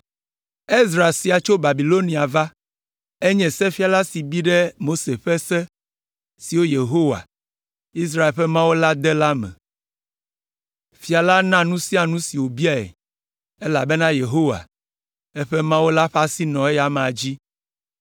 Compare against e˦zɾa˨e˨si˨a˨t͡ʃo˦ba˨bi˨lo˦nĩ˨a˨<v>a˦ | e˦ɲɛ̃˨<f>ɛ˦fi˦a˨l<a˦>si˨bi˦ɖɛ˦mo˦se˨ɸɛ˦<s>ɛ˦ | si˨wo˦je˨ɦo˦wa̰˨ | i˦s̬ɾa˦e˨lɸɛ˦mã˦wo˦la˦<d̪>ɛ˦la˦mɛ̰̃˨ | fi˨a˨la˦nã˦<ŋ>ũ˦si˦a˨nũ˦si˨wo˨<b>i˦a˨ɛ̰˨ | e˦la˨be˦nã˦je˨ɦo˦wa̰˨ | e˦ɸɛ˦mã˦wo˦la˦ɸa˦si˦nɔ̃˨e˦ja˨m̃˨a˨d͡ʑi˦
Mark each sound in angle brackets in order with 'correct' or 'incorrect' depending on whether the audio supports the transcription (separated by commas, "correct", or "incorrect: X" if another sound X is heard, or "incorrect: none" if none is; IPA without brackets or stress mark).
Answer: correct, incorrect: s, correct, correct, correct, incorrect: n, correct